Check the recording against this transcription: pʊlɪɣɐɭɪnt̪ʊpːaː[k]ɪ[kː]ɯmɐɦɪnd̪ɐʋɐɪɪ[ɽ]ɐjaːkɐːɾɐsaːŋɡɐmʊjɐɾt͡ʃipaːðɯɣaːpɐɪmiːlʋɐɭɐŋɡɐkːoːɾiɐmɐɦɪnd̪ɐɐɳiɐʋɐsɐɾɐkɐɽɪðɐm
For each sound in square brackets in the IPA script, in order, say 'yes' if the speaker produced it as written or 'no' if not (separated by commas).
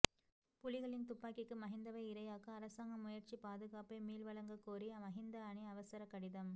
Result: yes, yes, no